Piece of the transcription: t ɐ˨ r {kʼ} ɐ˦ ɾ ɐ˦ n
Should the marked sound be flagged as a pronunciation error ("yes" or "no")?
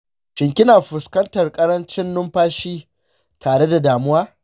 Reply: no